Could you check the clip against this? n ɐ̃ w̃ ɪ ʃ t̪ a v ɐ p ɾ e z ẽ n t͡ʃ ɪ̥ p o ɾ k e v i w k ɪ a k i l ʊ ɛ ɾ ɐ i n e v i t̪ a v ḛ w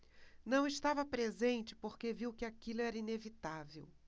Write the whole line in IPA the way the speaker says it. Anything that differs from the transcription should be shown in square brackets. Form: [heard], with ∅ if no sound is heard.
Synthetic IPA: n ɐ̃ w̃ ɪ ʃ t̪ a v ɐ p ɾ e z ẽ n t͡ʃ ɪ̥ p o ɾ k e v i w k ɪ a k i l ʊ ɛ ɾ ɐ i n e v i t̪ a v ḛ w